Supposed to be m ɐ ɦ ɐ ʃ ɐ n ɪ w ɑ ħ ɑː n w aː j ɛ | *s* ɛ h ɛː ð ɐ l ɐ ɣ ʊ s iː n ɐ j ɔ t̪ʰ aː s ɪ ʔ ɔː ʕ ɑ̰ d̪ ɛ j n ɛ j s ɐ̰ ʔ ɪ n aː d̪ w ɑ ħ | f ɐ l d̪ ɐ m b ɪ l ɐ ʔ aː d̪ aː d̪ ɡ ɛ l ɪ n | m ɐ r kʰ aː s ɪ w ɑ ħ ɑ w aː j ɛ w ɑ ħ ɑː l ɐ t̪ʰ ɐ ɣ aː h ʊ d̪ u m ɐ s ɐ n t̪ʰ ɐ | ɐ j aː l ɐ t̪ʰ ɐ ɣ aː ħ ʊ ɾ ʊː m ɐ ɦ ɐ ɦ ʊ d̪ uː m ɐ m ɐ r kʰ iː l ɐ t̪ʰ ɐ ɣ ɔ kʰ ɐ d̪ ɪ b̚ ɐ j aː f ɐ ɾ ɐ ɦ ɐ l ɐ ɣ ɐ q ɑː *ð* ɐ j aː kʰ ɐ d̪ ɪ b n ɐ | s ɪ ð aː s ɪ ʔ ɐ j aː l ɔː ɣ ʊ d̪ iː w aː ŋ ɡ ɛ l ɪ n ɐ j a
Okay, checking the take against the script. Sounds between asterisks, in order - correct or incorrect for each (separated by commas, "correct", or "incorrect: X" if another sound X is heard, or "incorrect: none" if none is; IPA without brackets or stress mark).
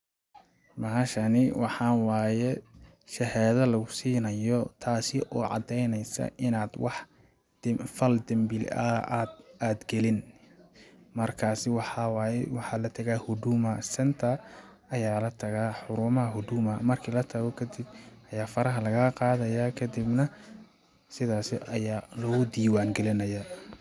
incorrect: ʃ, correct